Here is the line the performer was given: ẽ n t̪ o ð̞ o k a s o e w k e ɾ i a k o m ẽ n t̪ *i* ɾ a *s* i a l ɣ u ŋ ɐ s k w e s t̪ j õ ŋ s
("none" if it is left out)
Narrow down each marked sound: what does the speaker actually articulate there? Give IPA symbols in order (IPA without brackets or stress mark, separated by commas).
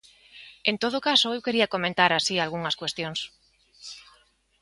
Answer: a, s